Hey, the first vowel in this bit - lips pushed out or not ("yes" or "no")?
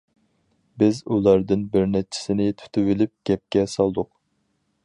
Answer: no